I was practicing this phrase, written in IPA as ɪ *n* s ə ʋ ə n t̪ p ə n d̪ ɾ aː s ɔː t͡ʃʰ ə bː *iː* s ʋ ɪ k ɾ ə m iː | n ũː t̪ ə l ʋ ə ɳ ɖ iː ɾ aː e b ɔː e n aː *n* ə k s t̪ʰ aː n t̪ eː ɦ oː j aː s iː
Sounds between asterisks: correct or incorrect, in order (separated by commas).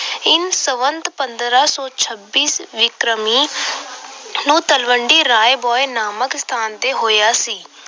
correct, correct, incorrect